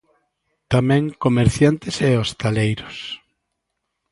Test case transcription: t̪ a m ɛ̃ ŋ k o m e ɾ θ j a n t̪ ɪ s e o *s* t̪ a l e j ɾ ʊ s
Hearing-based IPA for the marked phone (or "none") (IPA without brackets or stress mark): s